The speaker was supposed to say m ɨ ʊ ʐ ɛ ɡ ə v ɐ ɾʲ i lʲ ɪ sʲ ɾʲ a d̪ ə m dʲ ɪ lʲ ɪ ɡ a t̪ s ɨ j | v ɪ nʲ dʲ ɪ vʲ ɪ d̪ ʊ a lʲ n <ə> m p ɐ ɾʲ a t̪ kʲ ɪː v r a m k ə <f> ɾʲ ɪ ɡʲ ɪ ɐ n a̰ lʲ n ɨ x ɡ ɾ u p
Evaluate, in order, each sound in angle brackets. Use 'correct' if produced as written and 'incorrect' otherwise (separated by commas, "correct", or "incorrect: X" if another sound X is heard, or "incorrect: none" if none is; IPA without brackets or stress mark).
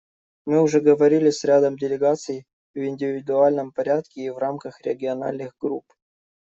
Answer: correct, incorrect: x